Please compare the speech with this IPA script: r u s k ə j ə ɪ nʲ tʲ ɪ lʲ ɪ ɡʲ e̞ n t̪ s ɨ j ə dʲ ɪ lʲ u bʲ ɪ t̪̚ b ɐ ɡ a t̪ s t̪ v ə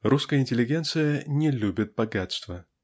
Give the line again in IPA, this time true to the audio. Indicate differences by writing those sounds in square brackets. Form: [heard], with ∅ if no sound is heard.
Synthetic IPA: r u s k ə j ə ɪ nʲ tʲ ɪ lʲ ɪ ɡʲ e̞ n t̪ s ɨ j ə [nʲ] ɪ lʲ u bʲ ɪ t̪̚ b ɐ ɡ a t̪ s t̪ v ə

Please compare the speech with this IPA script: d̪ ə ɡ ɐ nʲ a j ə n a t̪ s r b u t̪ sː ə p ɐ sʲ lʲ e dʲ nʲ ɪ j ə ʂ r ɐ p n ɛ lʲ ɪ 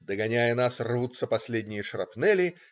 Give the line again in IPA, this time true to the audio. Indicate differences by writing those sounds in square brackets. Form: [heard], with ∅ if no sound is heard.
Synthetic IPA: d̪ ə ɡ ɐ nʲ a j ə n a [∅] s r [v] u t̪ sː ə p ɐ sʲ lʲ e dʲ nʲ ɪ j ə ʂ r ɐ p n ɛ lʲ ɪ

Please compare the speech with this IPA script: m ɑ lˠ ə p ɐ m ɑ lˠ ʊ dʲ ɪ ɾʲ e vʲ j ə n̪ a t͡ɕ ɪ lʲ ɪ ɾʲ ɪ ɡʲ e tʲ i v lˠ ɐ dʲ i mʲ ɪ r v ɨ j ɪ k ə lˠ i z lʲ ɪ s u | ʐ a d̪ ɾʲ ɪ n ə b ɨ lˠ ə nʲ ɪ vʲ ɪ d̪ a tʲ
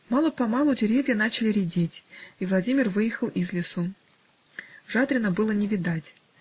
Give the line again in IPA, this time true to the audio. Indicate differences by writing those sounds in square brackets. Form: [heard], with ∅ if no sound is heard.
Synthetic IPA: m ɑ lˠ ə p ɐ m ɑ lˠ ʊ dʲ ɪ ɾʲ e vʲ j ə n̪ a t͡ɕ ɪ lʲ ɪ ɾʲ ɪ [dʲ] e tʲ i v lˠ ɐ dʲ i mʲ ɪ r v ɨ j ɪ [x] ə lˠ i z lʲ ɪ s u | ʐ a d̪ ɾʲ ɪ n ə b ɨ lˠ ə nʲ ɪ vʲ ɪ d̪ a tʲ

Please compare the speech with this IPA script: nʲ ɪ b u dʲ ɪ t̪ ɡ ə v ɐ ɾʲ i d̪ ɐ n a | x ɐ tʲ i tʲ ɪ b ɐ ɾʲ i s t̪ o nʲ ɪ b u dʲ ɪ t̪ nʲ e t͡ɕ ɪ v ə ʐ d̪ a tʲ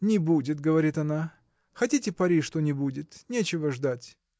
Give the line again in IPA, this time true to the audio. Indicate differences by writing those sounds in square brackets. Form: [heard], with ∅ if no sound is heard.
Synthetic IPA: nʲ ɪ b u dʲ ɪ t̪ ɡ ə v ɐ ɾʲ i [t̪] ɐ n a | x ɐ tʲ i tʲ ɪ [p] ɐ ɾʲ i [ʂ] t̪ o nʲ ɪ b u dʲ ɪ t̪ nʲ e t͡ɕ ɪ v ə ʐ d̪ a tʲ

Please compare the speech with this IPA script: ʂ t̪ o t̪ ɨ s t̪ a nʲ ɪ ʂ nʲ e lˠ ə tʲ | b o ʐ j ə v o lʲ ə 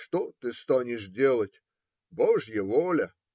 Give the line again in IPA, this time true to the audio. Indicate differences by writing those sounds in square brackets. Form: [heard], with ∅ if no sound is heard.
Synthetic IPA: ʂ t̪ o t̪ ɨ s t̪ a nʲ ɪ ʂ [dʲ] e lˠ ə tʲ | b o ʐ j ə v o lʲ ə

